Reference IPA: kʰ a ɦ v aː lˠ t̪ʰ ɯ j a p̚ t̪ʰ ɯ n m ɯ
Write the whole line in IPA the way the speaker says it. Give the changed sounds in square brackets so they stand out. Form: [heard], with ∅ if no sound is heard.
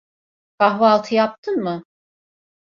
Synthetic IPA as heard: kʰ a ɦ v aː lˠ t̪ʰ ɯ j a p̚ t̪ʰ ɯ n m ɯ